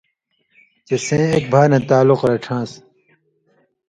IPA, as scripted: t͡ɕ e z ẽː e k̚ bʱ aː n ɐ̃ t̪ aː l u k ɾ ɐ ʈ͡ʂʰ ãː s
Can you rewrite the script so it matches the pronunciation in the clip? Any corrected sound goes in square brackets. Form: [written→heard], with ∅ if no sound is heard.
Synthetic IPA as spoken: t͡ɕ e [z→s] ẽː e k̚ bʱ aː n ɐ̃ t̪ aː l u [k→q] ɾ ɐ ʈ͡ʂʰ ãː s